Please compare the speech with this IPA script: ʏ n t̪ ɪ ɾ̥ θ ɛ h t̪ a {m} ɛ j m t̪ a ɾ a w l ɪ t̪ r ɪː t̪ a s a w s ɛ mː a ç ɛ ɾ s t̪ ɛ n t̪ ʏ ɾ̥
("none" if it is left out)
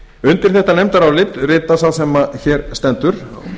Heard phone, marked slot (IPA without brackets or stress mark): n